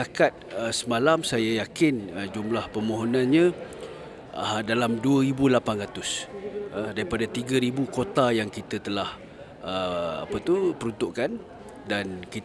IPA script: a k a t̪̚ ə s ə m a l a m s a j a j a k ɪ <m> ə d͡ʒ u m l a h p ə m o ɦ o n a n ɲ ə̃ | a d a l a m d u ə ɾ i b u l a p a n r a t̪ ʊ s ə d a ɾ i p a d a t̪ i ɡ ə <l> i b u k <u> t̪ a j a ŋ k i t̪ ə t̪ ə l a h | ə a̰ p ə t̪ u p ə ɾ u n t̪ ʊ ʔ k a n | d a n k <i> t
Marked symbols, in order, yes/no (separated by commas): no, no, no, yes